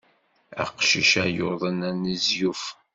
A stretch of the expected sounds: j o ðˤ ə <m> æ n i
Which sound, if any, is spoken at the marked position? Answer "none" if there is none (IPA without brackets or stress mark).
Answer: n